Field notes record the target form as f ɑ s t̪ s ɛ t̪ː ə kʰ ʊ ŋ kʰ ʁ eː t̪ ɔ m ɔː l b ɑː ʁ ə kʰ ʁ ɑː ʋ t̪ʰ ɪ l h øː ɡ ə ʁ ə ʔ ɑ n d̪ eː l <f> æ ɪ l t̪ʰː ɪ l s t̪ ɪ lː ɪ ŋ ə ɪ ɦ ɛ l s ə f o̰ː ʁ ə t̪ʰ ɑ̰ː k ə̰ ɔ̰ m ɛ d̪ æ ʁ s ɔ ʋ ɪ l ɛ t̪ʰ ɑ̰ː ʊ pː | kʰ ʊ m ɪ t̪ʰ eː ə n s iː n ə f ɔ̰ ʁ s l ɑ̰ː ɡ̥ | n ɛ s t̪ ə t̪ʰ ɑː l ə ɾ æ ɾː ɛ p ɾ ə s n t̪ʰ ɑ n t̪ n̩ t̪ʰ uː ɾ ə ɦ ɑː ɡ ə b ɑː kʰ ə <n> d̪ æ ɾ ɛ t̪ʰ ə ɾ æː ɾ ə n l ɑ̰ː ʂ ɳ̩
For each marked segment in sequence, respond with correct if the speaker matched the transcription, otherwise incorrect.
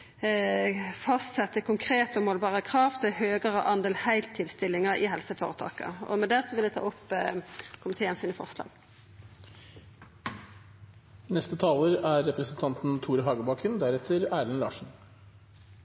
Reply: incorrect, correct

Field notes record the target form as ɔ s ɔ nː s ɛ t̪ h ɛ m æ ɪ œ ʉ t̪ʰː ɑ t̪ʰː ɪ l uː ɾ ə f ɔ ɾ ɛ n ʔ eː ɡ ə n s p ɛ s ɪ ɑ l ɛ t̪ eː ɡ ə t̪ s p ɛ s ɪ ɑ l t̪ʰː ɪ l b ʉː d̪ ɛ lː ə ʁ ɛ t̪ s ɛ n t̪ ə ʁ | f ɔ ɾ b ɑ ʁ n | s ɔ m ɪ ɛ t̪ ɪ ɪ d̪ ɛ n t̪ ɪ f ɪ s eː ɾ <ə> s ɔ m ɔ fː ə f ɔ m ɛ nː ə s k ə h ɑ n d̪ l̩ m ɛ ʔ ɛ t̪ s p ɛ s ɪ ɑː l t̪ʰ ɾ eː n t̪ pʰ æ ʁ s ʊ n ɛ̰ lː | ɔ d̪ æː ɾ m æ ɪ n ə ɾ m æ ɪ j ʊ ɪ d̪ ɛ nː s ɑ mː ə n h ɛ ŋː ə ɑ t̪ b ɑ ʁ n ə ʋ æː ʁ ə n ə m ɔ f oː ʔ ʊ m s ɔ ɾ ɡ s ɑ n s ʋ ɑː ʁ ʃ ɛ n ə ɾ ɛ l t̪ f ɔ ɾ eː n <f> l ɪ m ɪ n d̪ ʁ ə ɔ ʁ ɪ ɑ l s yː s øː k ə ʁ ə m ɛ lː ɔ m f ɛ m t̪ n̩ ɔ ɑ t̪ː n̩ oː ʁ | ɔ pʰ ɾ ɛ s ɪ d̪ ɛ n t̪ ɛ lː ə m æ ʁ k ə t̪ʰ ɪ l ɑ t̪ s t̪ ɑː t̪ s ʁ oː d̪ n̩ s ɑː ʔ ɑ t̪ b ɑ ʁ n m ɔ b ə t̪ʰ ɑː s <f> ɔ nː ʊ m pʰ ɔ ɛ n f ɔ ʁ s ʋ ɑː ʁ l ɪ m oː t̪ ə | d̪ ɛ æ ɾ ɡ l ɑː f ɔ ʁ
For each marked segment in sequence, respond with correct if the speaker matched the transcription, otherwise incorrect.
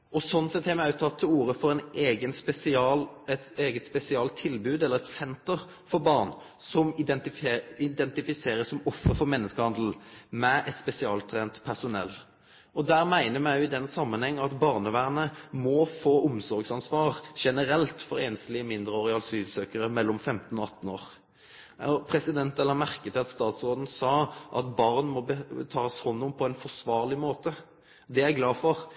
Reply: correct, incorrect, incorrect

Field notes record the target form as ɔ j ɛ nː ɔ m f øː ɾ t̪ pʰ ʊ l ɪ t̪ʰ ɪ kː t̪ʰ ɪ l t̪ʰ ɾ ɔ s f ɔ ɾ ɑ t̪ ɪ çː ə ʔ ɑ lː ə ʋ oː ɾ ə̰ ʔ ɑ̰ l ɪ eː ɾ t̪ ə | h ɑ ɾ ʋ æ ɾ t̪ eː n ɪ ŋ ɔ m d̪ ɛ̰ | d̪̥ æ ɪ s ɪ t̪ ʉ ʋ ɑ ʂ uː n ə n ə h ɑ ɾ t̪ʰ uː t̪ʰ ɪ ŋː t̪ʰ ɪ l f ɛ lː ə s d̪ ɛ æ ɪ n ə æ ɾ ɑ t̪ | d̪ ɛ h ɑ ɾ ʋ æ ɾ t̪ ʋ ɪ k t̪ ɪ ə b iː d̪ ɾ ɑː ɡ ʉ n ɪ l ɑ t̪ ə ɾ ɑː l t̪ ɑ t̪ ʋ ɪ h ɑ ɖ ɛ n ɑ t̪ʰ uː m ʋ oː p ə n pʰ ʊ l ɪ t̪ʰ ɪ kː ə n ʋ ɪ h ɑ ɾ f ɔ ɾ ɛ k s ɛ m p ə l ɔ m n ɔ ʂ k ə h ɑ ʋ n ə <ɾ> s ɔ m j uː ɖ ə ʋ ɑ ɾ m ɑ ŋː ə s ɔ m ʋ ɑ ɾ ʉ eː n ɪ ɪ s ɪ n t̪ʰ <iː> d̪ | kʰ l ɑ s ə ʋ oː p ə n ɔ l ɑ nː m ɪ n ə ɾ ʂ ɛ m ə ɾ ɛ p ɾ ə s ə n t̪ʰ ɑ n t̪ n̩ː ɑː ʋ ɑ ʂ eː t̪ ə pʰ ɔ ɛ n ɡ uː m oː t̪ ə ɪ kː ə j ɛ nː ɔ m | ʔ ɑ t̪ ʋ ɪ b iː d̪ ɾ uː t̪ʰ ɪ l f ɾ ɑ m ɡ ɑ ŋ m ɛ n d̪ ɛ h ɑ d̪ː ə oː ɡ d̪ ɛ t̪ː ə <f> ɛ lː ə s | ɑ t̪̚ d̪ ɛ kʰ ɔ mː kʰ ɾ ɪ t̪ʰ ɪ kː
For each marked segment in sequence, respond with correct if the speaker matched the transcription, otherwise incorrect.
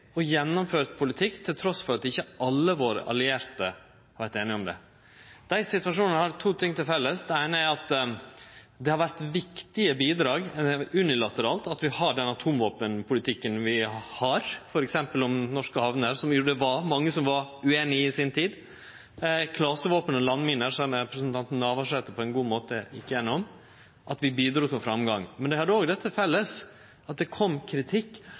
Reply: correct, correct, correct

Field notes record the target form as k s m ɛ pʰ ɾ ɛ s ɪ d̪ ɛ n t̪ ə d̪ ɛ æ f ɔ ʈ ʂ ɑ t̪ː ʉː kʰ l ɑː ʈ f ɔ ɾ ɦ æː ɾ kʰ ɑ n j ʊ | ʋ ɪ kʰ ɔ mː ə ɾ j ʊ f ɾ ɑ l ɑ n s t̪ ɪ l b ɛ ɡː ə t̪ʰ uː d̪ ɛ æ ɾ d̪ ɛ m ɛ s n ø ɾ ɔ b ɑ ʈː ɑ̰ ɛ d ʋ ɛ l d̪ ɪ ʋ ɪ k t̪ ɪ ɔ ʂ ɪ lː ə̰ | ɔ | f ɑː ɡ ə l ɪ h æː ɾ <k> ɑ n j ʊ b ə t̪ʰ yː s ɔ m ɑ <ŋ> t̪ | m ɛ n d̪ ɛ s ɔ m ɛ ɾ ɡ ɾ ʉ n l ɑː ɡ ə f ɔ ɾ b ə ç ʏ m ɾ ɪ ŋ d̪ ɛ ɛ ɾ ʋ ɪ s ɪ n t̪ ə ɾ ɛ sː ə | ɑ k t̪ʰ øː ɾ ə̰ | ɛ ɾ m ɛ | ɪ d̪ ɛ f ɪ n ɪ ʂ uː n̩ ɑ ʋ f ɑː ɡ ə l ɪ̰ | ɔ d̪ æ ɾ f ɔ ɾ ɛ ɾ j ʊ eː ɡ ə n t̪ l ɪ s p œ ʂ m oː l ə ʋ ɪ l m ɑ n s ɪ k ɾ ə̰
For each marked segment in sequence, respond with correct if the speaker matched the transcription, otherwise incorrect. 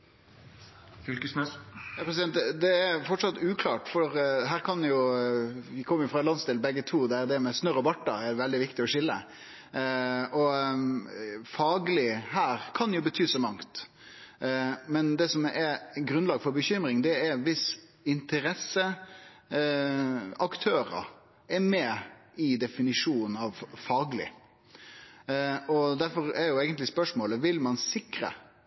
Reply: incorrect, correct

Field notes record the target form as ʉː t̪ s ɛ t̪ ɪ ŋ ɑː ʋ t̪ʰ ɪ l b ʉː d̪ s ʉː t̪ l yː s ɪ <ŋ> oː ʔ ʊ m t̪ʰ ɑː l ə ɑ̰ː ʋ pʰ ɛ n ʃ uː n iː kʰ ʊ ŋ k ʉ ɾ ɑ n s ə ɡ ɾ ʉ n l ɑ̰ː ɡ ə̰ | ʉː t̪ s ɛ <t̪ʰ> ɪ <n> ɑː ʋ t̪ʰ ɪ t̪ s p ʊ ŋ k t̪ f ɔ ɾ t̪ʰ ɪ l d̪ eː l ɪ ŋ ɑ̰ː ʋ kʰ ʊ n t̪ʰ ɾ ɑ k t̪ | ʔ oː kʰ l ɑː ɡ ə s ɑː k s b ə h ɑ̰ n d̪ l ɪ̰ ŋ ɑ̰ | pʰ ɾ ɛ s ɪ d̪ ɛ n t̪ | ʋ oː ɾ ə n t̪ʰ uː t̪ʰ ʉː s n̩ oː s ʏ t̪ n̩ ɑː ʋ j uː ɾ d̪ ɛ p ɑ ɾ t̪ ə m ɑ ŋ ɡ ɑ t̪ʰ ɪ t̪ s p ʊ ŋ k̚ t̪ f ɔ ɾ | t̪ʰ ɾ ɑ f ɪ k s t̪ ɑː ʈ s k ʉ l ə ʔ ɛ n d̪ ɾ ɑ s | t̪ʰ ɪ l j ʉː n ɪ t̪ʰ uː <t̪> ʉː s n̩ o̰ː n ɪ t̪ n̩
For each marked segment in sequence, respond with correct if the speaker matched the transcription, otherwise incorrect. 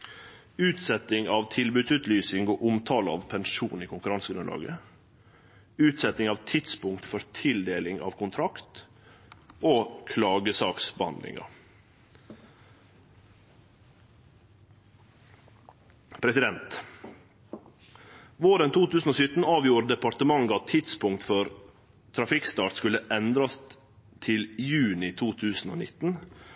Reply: correct, incorrect, incorrect, incorrect

